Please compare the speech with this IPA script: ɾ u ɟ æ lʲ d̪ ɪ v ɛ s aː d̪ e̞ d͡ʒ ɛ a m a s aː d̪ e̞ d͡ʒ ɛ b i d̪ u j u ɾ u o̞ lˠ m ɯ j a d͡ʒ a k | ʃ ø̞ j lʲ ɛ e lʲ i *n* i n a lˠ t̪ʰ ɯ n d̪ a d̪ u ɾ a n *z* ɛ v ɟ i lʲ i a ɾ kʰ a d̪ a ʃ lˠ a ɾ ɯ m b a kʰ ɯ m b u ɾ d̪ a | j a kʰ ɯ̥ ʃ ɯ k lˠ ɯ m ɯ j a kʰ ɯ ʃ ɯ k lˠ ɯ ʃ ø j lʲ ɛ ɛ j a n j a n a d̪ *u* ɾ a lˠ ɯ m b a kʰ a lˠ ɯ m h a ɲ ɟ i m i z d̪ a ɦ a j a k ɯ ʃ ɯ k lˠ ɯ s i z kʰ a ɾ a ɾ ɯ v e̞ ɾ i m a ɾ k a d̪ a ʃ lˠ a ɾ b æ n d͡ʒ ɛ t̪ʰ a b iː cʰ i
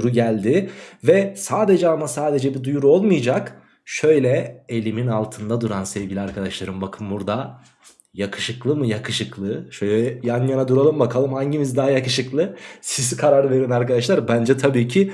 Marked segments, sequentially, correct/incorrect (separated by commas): incorrect, incorrect, correct